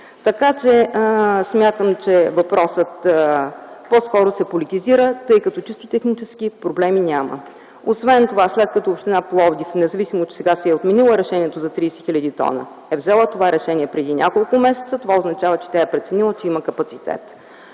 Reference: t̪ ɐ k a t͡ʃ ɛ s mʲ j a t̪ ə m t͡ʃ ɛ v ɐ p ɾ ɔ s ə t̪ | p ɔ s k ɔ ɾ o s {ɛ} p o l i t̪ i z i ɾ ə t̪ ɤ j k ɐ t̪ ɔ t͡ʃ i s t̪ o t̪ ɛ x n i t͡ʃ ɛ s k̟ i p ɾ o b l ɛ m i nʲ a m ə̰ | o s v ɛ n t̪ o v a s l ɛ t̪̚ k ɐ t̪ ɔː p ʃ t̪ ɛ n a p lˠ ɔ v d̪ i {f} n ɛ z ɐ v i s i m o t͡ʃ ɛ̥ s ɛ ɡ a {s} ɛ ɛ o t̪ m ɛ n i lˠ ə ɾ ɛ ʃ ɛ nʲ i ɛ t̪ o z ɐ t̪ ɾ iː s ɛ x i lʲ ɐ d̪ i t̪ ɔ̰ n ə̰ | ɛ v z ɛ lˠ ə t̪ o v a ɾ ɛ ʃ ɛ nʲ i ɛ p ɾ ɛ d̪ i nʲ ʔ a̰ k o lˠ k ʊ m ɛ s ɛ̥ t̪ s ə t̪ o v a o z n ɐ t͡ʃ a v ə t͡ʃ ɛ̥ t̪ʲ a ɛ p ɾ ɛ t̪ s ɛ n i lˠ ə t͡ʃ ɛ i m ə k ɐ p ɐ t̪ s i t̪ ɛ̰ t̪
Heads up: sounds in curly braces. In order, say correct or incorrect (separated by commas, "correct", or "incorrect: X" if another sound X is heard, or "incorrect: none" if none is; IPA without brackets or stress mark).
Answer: correct, correct, correct